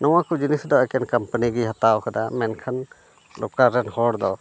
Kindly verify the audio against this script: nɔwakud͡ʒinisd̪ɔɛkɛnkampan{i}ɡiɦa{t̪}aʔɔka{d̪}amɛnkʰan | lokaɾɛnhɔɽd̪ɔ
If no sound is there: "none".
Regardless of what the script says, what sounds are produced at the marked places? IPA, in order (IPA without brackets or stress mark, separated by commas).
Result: i, t̪, d̪